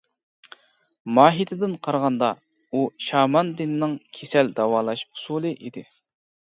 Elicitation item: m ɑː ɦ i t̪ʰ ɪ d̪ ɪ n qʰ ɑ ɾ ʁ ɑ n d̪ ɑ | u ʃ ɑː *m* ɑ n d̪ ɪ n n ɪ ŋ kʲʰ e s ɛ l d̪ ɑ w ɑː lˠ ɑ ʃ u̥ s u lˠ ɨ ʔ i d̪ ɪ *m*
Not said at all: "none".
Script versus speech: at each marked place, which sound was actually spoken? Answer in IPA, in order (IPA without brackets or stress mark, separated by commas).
m, none